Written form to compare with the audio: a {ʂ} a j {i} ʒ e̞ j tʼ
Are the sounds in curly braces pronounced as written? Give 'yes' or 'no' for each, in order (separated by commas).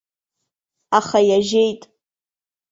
no, no